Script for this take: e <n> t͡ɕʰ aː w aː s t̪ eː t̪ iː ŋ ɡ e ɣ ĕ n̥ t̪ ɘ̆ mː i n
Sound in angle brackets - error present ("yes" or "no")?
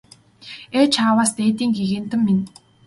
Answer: yes